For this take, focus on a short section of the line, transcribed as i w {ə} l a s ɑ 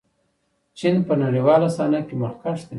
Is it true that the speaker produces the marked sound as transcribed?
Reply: no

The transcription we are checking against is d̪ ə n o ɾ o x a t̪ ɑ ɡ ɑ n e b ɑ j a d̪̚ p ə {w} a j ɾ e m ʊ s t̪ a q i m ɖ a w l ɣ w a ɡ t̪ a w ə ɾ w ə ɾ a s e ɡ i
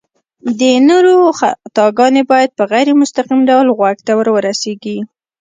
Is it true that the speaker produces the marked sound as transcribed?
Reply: no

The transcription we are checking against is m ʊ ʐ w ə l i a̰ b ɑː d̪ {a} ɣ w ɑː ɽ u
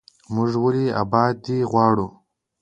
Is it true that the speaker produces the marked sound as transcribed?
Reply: no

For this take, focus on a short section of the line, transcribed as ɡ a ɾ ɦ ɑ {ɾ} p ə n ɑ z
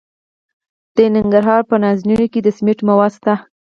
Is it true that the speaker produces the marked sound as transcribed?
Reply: yes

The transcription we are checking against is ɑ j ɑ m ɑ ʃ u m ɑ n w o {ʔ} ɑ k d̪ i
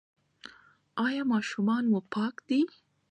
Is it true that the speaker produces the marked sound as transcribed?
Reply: no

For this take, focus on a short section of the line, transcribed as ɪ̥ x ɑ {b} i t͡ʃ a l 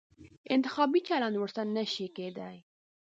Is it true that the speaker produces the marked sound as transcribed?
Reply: yes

